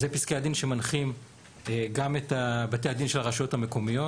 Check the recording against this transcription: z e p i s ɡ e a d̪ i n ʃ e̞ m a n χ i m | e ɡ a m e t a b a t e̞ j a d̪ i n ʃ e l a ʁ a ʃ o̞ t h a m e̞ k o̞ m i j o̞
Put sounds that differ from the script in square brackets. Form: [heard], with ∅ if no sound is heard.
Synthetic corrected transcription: z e p i s [k] e a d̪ i n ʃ e̞ m a n χ i m | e ɡ a m e t a b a t e̞ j a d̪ i n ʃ e l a ʁ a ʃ o̞ t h a m e̞ k o̞ m i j o̞